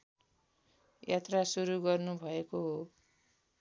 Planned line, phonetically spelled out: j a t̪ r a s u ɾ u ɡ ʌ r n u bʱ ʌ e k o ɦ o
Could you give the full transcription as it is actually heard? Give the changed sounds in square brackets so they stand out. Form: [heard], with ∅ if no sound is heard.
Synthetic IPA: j a t̪ r a s u ɾ u ɡ ʌ r n u bʱ ʌ e k o ɦ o